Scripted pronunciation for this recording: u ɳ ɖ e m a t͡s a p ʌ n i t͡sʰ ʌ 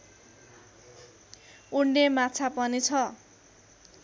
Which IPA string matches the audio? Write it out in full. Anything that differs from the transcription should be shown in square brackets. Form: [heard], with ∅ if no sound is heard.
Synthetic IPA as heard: u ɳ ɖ e m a [t͡sʰ] a p ʌ n i t͡sʰ ʌ

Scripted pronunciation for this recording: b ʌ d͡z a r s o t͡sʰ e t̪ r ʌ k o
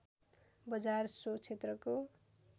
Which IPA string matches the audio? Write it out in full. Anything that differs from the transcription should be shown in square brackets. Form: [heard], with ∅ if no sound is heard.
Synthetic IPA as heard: b ʌ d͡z a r s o t͡sʰ e t̪ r ʌ k o

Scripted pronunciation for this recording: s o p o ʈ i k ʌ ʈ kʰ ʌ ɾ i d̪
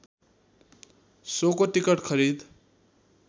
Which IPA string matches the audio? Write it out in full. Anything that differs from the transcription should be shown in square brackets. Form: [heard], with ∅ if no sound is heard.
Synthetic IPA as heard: s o [k] o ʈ i k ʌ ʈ kʰ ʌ ɾ i d̪

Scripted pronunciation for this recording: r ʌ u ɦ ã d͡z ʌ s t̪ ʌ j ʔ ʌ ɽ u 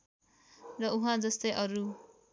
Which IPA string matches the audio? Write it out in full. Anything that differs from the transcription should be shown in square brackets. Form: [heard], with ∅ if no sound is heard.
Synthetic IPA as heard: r ʌ u ɦ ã d͡z ʌ s t̪ ʌ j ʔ ʌ [ɾ] u

